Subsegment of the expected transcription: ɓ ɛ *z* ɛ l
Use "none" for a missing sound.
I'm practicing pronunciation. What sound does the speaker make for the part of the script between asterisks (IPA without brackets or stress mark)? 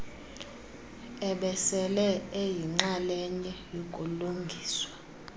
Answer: s